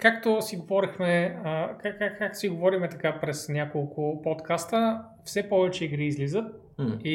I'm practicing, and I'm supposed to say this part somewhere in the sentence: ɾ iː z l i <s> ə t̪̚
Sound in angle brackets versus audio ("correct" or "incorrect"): incorrect